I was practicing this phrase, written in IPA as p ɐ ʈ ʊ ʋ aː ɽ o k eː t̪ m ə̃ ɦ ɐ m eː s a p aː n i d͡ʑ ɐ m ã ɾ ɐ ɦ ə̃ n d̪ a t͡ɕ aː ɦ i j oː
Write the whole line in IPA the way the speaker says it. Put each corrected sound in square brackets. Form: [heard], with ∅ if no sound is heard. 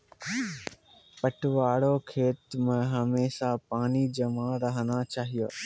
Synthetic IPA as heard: p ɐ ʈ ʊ ʋ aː ɽ o [kʰ] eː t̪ m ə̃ ɦ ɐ m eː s a p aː n i d͡ʑ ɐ m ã ɾ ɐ ɦ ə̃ n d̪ a t͡ɕ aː ɦ i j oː